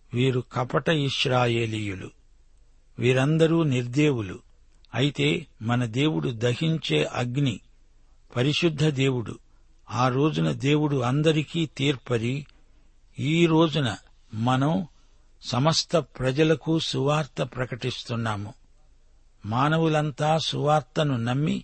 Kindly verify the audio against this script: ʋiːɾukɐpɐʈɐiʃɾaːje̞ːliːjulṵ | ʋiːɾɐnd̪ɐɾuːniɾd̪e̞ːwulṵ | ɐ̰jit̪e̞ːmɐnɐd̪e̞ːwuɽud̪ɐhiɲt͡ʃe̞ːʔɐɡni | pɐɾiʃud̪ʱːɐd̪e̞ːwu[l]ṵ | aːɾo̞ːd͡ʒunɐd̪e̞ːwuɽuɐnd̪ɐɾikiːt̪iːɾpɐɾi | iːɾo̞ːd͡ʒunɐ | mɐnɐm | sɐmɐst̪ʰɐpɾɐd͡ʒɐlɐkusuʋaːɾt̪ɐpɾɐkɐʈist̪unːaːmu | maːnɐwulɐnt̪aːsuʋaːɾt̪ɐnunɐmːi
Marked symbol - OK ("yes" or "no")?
no